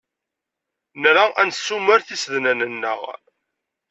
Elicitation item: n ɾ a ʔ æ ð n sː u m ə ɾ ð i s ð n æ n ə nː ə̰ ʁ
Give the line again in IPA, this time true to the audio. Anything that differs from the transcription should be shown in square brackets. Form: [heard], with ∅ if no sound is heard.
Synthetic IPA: n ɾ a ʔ æ [∅] n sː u m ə ɾ [θ] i s ð n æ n ə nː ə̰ ʁ